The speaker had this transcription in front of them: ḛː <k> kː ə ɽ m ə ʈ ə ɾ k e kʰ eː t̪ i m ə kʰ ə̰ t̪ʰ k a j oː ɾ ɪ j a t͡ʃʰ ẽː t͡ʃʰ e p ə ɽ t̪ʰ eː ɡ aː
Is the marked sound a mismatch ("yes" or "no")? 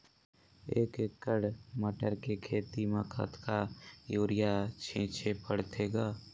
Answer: no